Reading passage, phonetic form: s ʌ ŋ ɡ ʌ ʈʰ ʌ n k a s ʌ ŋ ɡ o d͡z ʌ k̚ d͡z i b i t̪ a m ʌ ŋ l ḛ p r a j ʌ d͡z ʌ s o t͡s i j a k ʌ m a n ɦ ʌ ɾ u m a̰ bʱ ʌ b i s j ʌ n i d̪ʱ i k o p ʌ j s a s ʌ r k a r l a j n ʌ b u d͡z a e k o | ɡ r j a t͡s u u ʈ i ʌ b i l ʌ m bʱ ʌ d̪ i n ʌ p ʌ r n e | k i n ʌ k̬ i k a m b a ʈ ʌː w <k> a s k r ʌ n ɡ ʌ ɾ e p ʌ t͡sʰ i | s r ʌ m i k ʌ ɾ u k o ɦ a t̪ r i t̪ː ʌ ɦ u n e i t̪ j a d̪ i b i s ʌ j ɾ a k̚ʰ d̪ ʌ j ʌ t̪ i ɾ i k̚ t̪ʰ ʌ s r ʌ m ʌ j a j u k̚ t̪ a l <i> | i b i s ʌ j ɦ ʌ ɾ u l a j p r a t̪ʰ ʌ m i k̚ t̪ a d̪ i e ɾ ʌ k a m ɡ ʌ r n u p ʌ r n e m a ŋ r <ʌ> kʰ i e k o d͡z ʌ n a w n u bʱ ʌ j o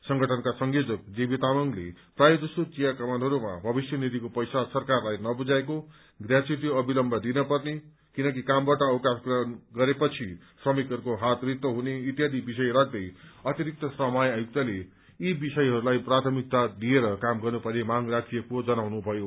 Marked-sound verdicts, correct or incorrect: correct, incorrect: e, incorrect: a

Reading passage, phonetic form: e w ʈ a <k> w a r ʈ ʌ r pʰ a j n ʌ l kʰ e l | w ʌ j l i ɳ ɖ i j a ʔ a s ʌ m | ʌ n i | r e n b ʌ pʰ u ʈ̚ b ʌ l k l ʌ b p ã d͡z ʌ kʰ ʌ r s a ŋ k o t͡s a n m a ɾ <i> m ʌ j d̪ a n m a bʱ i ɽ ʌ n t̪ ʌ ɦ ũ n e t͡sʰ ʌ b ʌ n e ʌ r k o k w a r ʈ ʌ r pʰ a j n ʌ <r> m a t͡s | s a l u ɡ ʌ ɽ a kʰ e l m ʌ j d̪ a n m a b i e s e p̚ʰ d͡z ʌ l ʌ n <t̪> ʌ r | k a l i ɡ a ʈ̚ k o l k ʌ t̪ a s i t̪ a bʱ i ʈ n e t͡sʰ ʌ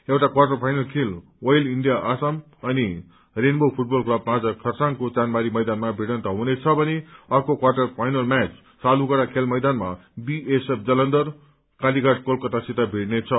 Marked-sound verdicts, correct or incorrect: correct, correct, incorrect: l, incorrect: d̪

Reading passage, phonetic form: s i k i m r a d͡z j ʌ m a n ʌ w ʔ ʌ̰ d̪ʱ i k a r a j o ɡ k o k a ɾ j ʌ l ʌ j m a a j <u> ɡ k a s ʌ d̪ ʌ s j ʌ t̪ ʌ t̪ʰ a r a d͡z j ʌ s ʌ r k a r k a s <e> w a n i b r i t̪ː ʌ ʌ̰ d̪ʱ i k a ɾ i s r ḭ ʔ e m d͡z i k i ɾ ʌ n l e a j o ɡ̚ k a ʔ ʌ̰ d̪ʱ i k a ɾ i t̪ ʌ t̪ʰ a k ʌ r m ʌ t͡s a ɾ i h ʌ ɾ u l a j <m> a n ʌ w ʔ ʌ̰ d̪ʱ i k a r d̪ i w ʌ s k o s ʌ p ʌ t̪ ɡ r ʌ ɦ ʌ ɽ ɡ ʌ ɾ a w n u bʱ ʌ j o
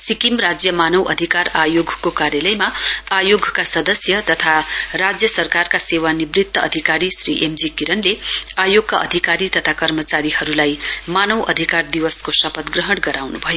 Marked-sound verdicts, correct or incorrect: incorrect: o, correct, correct

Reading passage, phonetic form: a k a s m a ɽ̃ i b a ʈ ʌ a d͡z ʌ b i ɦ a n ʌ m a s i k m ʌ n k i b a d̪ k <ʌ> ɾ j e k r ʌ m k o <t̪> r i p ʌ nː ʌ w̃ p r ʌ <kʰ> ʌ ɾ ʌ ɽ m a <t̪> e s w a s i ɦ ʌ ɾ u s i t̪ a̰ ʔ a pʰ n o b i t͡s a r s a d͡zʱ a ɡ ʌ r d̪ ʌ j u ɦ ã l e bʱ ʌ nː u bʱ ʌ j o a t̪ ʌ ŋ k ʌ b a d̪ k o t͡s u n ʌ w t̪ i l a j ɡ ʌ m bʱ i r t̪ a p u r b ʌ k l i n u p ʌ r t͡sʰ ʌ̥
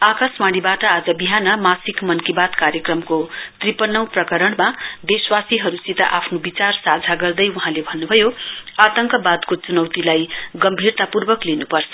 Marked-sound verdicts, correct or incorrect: incorrect: a, correct, incorrect: k, incorrect: d̪

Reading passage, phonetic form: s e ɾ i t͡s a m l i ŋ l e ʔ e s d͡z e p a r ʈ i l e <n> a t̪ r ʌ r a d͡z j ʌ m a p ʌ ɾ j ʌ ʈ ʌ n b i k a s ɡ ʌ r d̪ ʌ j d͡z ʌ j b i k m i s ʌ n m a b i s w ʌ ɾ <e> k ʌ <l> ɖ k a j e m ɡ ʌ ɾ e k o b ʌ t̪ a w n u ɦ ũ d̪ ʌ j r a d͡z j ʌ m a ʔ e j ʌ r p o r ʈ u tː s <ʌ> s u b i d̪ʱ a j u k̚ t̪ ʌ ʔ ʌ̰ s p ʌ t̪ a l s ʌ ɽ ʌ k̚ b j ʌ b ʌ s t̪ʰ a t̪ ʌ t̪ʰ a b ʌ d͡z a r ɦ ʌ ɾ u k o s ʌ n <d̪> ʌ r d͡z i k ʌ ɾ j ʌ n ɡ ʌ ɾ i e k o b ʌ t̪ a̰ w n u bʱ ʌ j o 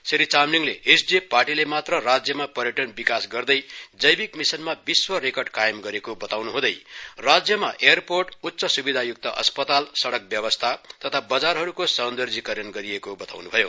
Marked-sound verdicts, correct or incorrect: incorrect: m, correct, incorrect: r, correct, correct

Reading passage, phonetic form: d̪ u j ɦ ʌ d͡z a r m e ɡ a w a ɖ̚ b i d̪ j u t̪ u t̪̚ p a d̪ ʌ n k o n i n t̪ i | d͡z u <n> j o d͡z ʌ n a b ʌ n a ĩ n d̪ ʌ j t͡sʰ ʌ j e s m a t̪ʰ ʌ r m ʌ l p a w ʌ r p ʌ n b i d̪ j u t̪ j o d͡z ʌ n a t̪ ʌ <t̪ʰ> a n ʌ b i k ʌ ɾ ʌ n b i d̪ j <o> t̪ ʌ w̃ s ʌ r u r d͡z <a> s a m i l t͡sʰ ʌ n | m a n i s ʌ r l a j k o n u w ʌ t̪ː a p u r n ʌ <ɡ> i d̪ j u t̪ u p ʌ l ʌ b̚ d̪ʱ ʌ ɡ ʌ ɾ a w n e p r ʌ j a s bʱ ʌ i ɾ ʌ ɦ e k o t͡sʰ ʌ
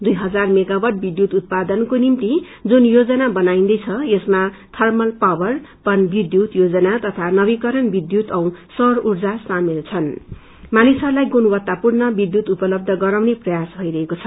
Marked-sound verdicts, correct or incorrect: correct, correct, incorrect: u, correct, incorrect: b

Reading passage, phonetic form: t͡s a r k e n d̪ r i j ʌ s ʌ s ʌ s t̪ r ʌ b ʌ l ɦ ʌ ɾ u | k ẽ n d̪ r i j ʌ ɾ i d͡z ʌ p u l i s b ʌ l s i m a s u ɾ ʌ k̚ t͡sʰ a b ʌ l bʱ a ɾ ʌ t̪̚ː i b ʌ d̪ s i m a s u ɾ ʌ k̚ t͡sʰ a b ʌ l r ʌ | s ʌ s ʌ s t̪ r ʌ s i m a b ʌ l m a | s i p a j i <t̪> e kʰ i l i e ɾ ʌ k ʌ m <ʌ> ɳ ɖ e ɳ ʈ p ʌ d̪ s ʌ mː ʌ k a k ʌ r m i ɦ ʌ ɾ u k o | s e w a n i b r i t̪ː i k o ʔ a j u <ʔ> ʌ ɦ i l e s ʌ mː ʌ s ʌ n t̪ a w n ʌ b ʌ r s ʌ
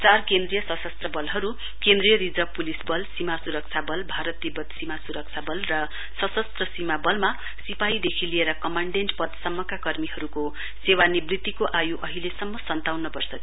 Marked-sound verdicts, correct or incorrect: incorrect: d̪, incorrect: a, correct

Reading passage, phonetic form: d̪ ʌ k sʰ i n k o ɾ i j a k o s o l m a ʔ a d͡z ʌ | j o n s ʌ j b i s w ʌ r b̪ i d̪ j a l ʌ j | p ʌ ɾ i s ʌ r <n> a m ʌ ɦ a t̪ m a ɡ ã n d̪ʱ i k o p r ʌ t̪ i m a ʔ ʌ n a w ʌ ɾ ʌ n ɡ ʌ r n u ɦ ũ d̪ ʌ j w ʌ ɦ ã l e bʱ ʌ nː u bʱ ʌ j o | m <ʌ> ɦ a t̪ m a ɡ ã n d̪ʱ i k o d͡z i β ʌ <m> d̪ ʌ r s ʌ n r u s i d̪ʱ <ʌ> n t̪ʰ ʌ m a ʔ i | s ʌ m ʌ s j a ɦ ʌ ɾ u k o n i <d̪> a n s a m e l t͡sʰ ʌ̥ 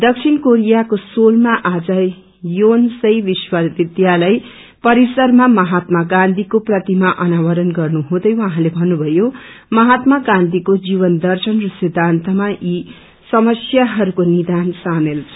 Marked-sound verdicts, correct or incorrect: incorrect: m, correct, incorrect: n, incorrect: a, correct

